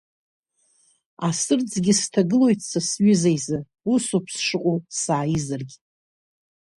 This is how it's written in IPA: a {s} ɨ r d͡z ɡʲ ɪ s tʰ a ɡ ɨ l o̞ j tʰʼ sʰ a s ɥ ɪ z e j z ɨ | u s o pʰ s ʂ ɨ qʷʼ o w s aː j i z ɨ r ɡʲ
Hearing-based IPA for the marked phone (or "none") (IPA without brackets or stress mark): s